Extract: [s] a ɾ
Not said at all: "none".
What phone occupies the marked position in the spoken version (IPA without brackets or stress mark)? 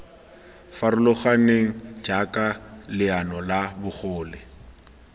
f